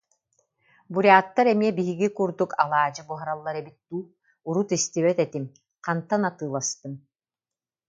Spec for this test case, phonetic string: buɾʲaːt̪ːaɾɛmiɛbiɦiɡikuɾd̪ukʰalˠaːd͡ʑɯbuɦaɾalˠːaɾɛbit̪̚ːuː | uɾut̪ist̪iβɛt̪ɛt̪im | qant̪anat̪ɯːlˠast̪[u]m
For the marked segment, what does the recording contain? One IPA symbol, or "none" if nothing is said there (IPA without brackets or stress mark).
ɯ